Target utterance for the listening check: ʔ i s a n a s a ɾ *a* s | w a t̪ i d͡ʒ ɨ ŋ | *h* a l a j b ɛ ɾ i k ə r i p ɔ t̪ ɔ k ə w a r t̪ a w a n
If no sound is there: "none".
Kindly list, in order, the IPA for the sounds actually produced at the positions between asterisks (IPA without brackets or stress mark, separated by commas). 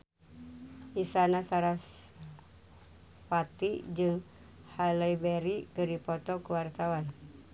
a, h